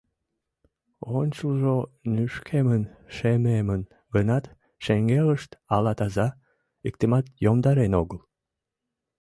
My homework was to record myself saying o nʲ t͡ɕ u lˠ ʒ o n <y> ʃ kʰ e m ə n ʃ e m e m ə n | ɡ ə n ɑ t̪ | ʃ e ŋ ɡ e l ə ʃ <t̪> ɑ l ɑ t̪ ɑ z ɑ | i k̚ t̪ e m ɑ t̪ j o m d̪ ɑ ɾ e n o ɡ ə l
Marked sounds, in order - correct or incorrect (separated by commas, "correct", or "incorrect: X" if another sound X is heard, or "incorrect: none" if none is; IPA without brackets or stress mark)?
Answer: correct, correct